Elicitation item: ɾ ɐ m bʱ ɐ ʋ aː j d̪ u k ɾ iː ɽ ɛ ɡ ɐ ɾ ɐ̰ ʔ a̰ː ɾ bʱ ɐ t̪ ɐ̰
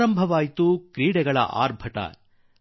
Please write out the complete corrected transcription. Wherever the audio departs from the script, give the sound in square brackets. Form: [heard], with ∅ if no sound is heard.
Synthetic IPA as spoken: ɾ ɐ m bʱ ɐ ʋ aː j [t̪] u k ɾ iː ɽ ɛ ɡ ɐ [ɭ] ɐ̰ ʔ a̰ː ɾ bʱ ɐ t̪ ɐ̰